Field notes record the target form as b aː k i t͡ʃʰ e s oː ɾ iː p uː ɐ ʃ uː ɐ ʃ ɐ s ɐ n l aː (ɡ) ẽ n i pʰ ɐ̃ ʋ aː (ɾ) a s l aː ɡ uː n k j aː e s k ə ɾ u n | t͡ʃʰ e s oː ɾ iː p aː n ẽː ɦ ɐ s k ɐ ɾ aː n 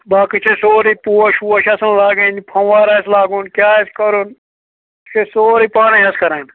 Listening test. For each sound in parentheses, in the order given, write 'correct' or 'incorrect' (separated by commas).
correct, correct